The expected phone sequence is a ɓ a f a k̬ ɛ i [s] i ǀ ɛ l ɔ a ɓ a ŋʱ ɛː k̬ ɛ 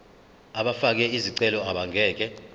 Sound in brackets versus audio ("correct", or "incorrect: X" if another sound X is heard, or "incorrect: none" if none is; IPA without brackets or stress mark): incorrect: z